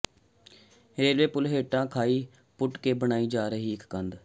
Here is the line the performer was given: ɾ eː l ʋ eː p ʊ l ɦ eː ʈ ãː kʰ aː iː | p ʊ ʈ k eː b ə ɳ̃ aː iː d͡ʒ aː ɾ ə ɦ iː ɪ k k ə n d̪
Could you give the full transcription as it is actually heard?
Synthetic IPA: ɾ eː l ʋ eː p ʊ l ɦ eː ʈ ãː kʰ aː iː | p ʊ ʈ k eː b ə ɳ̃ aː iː d͡ʒ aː ɾ ə ɦ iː ɪ k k ə n d̪

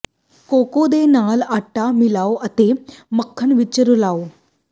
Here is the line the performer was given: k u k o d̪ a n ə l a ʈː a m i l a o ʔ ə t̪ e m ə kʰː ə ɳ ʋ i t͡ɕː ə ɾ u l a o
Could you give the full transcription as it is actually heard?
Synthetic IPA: k o k o d̪ e n a l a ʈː a m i l a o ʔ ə t̪ e m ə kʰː ə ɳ ʋ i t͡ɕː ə ɾ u l a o

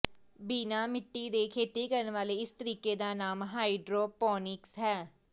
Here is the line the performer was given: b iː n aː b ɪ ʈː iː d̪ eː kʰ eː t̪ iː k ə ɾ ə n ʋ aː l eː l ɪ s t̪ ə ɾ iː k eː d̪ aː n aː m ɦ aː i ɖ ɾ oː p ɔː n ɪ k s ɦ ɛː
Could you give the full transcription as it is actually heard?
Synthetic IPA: b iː n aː m ɪ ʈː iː d̪ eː kʰ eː t̪ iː k ə ɾ ə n ʋ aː l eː ɪ s t̪ ə ɾ iː k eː d̪ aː n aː m ɦ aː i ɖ ɾ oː p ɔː n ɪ k s ɦ ɛː

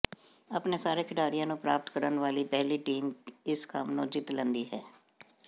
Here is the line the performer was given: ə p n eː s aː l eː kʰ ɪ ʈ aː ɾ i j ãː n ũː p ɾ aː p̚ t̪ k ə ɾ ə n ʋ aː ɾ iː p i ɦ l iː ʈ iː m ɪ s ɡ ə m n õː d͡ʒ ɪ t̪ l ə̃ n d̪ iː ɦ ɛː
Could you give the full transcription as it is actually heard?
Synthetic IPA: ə p n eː s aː ɾ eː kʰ ɪ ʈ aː ɾ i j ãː n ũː p ɾ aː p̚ t̪ k ə ɾ ə n ʋ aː l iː p ɛ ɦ l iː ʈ iː m ɪ s k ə m n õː d͡ʒ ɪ t̪ l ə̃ n d̪ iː ɦ ɛː

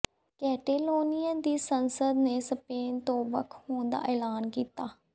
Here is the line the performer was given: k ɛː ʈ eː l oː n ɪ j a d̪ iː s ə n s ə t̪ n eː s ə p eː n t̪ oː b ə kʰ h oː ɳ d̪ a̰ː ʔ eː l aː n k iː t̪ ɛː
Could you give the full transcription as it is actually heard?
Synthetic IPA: k ɛː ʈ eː l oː n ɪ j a d̪ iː s ə n s ə d̪ n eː s ə p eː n t̪ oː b ə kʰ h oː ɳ d̪ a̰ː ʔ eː l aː n k iː t̪ aː

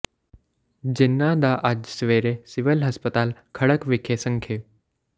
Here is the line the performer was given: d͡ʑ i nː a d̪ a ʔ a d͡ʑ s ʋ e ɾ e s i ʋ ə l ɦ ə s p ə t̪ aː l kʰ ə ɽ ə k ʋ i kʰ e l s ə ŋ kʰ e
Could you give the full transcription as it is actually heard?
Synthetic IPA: d͡ʑ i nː a d̪ a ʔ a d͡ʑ s ʋ e ɾ e s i ʋ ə l ɦ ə s p ə t̪ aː l kʰ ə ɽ ə k ʋ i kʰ e s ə ŋ kʰ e

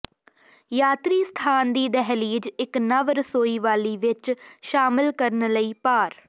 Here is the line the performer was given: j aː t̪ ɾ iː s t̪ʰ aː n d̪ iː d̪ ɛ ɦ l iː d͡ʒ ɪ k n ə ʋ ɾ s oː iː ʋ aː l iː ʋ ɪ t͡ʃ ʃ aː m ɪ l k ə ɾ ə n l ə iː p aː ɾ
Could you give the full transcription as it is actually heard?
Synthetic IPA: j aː t̪ ɾ iː s t̪ʰ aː n d̪ iː d̪ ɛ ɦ l iː d͡ʒ ɪ k n ə ʋ ɾ s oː iː ʋ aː l iː ʋ ɪ t͡ʃ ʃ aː m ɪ l k ə ɾ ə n l ə iː p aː ɾ

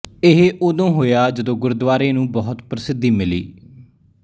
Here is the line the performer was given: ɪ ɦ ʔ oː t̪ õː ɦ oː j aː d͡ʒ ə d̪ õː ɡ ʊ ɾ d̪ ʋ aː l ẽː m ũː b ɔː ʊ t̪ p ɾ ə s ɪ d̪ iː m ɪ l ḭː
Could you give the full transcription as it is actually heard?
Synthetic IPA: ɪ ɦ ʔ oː d̪ õː ɦ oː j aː d͡ʒ ə d̪ õː ɡ ʊ ɾ d̪ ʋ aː ɾ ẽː n ũː b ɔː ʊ t̪ p ɾ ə s ɪ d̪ iː m ɪ l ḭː

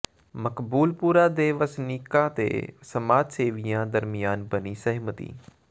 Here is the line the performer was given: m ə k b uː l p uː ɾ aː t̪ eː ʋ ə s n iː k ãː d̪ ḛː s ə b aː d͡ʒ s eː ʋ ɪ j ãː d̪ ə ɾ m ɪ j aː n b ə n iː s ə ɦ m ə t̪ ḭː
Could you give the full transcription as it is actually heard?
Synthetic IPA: m ə k b uː l p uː ɾ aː d̪ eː ʋ ə s n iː k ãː t̪ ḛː s ə m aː d͡ʒ s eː ʋ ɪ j ãː d̪ ə ɾ m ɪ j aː n b ə n iː s ə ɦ m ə t̪ ḭː

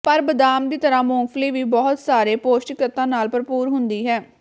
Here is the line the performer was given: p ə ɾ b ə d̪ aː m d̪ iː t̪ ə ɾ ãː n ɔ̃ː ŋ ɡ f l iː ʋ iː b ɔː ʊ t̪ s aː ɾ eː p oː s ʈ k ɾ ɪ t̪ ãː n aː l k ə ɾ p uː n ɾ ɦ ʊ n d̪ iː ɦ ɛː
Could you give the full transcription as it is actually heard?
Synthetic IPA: p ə ɾ b ə d̪ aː m d̪ iː t̪ ə ɾ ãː m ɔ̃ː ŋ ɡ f l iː ʋ iː b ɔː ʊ t̪ s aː ɾ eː p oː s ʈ k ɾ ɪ t̪ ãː n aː l p ə ɾ p uː ɾ ɦ ʊ n d̪ iː ɦ ɛː

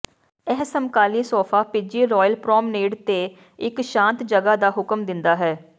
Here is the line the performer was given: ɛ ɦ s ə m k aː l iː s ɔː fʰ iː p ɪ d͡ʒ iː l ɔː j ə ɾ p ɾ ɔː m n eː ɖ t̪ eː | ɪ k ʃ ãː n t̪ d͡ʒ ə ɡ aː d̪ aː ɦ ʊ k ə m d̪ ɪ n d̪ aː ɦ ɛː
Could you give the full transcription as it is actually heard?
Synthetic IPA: ɛ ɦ s ə m k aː l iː s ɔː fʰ aː p ɪ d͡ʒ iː ɾ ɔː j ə l p ɾ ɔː m n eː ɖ t̪ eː | ɪ k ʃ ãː n t̪ d͡ʒ ə ɡ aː d̪ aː ɦ ʊ k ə m d̪ ɪ n d̪ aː ɦ ɛː

